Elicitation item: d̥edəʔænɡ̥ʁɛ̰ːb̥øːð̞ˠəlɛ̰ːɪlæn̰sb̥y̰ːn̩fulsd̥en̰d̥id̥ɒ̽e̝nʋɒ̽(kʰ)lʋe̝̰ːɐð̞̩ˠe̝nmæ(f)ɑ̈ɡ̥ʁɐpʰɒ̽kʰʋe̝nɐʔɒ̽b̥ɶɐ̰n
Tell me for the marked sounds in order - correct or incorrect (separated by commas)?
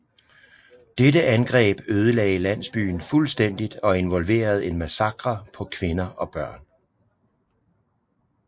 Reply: incorrect, incorrect